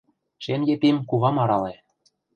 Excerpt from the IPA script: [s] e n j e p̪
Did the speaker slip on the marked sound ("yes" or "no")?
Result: yes